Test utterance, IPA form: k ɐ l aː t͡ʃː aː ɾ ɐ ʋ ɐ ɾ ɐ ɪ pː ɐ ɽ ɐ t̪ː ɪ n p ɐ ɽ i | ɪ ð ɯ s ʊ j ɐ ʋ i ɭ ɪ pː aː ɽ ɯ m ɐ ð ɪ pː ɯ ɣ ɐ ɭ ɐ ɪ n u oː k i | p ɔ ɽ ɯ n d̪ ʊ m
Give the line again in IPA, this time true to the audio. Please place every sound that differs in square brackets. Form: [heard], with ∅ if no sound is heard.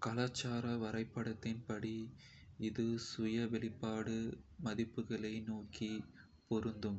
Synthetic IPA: k ɐ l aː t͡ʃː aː ɾ ɐ ʋ ɐ ɾ ɐ ɪ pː ɐ ɽ ɐ t̪ː ɪ n p ɐ ɽ i | ɪ ð ɯ s ʊ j ɐ ʋ [ɛ] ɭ ɪ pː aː ɽ ɯ m ɐ ð ɪ pː ɯ ɣ ɐ ɭ ɐ ɪ n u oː k i | p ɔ [ɾ] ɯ n d̪ [ɯ] m